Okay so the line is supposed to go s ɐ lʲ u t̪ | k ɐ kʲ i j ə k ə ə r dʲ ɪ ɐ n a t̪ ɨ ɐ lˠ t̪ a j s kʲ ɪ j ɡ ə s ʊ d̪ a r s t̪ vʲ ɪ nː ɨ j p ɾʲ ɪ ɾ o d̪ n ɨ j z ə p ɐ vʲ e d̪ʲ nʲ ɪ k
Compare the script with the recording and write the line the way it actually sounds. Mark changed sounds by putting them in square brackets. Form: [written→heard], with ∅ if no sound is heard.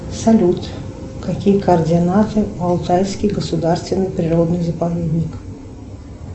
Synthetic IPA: s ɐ lʲ u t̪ | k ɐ kʲ i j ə k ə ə r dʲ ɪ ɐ n a t̪ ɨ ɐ lˠ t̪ a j s kʲ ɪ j ɡ ə s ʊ d̪ a r s t̪ vʲ ɪ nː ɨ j p ɾʲ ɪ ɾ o d̪ n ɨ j z ə p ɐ vʲ e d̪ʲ nʲ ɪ k